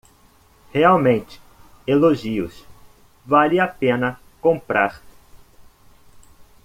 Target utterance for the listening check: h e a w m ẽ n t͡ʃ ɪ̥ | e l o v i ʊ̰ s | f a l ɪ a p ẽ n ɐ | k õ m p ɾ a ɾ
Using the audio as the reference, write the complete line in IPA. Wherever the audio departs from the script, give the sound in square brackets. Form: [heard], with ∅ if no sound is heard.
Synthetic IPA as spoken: h e a w m ẽ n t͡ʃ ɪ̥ | e l o [ʒ] i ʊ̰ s | [v] a l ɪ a p ẽ n ɐ | k õ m p ɾ a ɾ